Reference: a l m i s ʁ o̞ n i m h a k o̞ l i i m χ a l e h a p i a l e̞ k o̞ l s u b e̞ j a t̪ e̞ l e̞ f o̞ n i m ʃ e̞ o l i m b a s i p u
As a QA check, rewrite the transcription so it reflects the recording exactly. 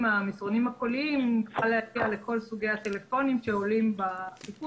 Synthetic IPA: a m i s ʁ o̞ n i m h a k o̞ l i i m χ a l e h a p i a l e̞ k o̞ l s u ɡ e̞ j a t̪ e̞ l e̞ f o̞ n i m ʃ e̞ o l i m b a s i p u